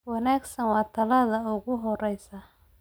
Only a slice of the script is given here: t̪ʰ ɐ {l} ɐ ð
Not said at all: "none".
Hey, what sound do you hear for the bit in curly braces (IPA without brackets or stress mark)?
l